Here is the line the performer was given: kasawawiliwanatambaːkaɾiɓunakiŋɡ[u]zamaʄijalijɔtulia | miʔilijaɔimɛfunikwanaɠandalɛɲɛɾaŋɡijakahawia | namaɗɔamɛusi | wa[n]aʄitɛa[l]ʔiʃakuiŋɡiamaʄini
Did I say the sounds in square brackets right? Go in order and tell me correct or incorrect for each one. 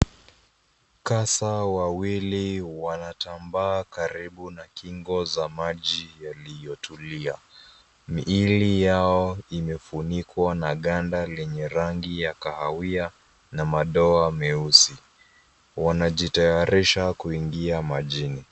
incorrect: ɔ, correct, incorrect: ɾ

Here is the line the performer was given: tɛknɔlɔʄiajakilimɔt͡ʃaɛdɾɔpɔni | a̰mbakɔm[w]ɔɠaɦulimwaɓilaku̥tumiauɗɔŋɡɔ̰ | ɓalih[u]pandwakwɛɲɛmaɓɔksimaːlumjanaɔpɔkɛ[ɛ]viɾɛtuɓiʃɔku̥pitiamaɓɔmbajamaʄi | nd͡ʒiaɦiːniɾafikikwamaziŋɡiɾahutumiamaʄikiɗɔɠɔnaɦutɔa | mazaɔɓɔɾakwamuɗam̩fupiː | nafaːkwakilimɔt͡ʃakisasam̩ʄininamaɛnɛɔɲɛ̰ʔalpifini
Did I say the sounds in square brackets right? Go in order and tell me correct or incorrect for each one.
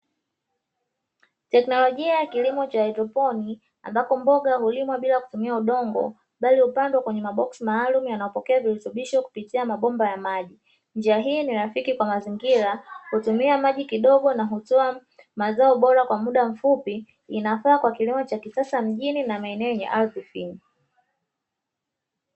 incorrect: b, correct, incorrect: a

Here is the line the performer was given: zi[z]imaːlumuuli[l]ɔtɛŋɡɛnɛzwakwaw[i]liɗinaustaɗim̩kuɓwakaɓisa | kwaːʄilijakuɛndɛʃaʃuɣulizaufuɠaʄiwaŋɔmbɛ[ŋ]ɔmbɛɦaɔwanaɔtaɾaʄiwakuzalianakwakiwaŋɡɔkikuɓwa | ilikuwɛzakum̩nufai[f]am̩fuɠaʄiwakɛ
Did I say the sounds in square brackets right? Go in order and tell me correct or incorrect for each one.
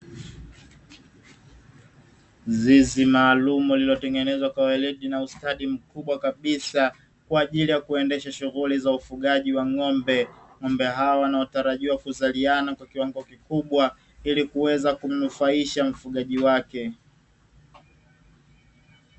correct, correct, incorrect: ɛ, correct, incorrect: ʃ

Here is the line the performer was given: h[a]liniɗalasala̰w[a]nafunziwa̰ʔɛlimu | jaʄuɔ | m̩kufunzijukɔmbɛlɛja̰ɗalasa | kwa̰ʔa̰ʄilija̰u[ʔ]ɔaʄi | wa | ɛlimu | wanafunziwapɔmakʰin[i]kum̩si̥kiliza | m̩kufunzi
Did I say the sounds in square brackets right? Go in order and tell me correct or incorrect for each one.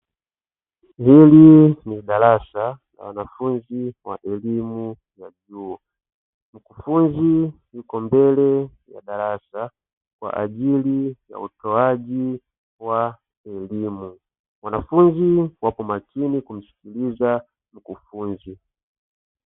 incorrect: i, correct, incorrect: t, correct

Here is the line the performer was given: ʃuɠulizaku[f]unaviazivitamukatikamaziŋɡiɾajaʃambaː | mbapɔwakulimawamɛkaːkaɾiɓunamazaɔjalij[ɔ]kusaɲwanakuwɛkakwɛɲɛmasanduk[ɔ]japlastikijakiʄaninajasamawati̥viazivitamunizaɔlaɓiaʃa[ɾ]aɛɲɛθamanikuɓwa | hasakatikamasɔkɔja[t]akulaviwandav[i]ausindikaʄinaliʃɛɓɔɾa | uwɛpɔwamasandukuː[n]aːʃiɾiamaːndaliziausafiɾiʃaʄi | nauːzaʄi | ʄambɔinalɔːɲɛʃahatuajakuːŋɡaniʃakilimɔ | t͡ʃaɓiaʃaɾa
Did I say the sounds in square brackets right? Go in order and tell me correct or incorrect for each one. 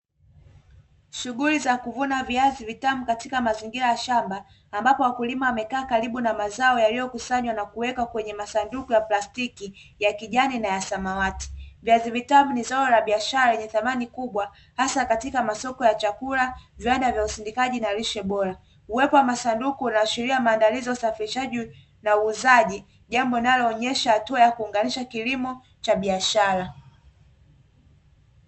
incorrect: v, correct, incorrect: u, correct, incorrect: t͡ʃ, incorrect: j, correct

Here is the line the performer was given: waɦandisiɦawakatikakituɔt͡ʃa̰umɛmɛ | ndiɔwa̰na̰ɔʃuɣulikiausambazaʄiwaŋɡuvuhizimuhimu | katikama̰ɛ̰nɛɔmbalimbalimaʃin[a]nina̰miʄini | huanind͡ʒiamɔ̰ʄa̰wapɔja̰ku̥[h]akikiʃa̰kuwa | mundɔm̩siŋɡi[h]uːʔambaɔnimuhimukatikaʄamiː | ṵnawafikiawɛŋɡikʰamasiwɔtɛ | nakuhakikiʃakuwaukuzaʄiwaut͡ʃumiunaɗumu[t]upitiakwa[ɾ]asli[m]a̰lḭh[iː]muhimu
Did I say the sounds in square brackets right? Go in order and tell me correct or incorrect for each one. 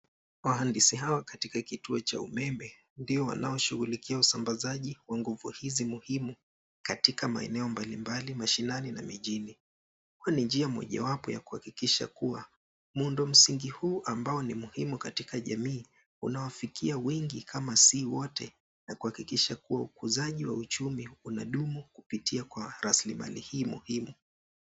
correct, correct, correct, incorrect: k, correct, correct, correct

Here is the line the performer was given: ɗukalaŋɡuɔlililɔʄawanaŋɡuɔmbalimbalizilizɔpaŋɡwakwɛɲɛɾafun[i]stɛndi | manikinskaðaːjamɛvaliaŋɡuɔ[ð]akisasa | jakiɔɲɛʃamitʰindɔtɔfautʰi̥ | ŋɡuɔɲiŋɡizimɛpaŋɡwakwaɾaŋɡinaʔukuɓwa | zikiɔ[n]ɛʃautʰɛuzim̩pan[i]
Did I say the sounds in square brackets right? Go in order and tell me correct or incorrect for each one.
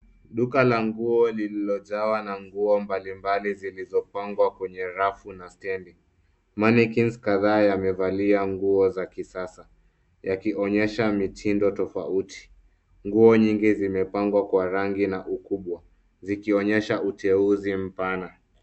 incorrect: a, incorrect: z, incorrect: ɲ, incorrect: a

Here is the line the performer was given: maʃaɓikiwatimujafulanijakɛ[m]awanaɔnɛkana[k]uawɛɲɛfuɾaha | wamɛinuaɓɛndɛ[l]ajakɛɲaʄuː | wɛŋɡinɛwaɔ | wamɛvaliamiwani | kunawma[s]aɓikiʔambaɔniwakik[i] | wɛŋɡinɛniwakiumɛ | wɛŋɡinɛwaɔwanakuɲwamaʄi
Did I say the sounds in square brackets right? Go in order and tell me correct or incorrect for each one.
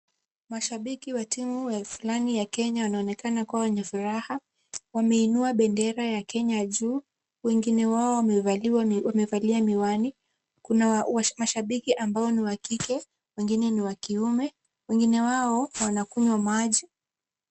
incorrect: ɲ, correct, incorrect: ɾ, incorrect: ʃ, incorrect: ɛ

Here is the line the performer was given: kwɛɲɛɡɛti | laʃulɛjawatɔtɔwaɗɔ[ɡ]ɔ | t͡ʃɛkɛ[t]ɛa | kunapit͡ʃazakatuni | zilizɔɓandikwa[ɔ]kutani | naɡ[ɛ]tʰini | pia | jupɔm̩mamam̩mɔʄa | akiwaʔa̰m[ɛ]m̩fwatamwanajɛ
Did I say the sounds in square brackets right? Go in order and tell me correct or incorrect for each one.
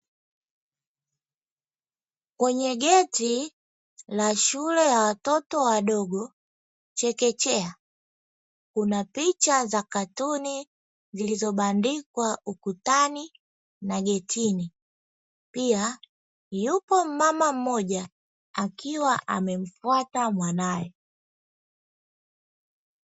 correct, incorrect: t͡ʃ, incorrect: u, correct, correct

